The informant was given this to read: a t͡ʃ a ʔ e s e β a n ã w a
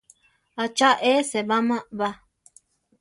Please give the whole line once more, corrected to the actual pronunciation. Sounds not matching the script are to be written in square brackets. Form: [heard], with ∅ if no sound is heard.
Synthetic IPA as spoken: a t͡ʃ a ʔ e s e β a [m] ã [β] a